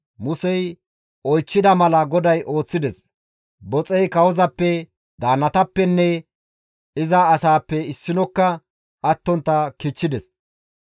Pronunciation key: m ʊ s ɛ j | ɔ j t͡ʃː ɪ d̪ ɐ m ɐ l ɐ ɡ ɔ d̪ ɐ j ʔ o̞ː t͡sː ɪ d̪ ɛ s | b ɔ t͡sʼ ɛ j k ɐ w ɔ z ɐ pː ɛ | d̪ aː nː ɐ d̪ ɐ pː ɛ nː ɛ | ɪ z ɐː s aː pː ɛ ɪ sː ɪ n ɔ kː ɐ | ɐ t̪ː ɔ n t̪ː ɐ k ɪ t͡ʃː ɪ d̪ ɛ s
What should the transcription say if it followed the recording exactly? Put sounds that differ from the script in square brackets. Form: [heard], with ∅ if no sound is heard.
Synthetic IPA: m ʊ s ɛ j | ɔ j t͡ʃː ɪ d̪ ɐ m ɐ l ɐ ɡ ɔ d̪ ɐ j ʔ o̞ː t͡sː ɪ d̪ ɛ s | b ɔ t͡sʼ ɛ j k ɐ w ɔ z ɐ pː ɛ | d̪ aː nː ɐ [t̪] ɐ pː ɛ nː ɛ | ɪ z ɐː s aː pː ɛ ɪ sː ɪ n ɔ kː ɐ | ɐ t̪ː ɔ n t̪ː ɐ k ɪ t͡ʃː ɪ d̪ ɛ s